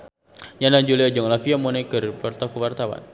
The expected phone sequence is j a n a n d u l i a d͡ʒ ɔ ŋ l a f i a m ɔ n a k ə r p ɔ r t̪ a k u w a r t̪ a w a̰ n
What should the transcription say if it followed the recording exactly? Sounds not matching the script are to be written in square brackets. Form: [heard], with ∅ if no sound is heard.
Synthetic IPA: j a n a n [d͡ʒ] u l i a d͡ʒ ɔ ŋ l a f i a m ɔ n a k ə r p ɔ r t̪ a k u w a r t̪ a w a̰ n